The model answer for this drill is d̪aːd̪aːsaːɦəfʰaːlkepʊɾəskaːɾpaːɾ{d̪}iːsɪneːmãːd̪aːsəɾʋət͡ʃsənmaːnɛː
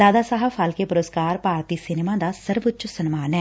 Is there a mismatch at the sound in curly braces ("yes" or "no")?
yes